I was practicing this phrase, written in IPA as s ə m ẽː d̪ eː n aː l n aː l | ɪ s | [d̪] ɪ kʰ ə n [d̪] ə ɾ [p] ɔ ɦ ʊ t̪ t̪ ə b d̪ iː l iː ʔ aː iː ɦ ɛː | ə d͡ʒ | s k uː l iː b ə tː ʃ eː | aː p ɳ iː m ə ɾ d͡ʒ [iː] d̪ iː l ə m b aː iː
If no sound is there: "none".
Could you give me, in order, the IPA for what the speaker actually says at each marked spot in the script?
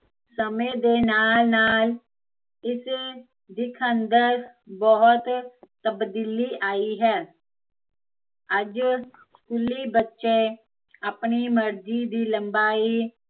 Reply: d̪, d̪, b, iː

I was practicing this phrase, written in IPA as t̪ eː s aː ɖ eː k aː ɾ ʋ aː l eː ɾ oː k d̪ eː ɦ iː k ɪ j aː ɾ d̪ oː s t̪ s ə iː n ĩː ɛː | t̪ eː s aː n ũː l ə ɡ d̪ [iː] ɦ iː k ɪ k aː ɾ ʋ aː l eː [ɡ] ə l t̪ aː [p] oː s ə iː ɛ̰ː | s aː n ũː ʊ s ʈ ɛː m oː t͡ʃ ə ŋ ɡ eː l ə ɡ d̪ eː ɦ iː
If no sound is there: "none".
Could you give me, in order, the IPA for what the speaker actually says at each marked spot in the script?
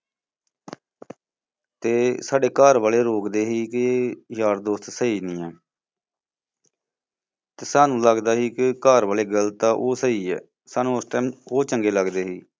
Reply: aː, ɡ, ʔ

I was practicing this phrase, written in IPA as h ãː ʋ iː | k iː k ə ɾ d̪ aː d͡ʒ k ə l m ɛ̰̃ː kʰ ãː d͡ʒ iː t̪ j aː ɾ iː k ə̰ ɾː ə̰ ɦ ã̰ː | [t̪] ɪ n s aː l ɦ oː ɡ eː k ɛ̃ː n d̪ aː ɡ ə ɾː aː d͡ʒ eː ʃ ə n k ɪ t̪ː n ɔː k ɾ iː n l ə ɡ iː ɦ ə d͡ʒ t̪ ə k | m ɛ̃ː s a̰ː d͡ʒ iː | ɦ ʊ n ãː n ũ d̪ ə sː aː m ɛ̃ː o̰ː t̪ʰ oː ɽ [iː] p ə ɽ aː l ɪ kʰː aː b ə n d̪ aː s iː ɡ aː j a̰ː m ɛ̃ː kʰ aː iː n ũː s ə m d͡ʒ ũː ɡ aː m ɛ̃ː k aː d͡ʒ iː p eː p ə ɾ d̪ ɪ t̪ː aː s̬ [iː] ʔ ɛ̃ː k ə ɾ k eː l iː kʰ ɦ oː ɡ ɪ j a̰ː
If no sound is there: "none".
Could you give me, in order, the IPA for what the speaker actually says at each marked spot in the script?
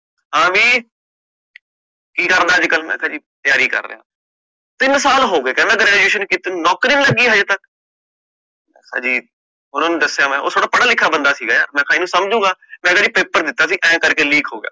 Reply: t̪, aː, iː

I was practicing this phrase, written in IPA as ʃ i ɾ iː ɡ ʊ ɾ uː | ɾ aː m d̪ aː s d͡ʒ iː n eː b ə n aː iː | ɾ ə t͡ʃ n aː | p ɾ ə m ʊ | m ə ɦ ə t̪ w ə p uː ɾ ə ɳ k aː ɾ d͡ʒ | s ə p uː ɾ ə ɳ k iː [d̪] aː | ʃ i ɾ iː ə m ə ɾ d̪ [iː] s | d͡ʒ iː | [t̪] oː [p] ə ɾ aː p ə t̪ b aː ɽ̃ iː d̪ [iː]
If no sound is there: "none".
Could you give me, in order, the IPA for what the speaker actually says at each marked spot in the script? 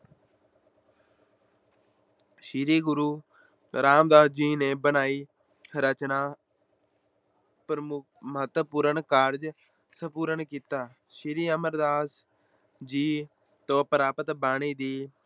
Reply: t̪, aː, t̪, p, iː

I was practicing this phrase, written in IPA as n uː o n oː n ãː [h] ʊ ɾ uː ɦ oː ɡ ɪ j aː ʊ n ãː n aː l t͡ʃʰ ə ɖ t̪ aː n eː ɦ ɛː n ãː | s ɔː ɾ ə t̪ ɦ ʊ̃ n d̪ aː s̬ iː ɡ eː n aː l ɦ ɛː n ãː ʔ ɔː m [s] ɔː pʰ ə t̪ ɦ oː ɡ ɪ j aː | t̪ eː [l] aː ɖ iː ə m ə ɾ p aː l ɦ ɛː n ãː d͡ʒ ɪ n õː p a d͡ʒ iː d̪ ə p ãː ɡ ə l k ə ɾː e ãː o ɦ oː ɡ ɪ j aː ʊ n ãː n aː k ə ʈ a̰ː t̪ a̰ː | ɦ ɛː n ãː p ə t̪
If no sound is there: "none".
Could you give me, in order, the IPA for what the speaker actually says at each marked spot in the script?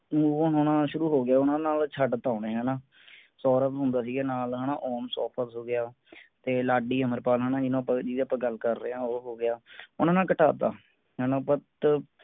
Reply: ʃ, s, l

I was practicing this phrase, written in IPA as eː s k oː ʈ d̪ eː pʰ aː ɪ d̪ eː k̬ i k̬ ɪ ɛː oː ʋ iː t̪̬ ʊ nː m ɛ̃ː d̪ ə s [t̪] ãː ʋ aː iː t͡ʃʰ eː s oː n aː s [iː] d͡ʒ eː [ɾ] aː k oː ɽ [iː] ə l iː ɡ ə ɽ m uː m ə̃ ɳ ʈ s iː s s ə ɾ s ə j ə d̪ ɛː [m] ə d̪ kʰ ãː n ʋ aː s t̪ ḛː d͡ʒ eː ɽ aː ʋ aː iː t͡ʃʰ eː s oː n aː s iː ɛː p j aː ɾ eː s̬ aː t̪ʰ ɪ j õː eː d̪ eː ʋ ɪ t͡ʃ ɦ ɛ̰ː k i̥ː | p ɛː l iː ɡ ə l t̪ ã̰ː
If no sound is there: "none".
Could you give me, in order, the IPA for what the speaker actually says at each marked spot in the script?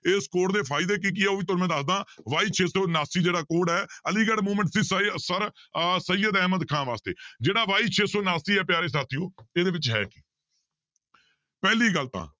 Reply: d̪, iː, ɽ, ɛː, m

